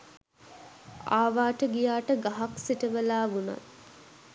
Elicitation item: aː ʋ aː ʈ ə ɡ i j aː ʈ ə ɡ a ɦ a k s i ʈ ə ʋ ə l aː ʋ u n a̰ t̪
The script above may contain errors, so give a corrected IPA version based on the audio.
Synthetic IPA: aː ʋ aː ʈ ə ɡ i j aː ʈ ə ɡ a ɦ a k s i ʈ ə ʋ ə l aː ʋ u n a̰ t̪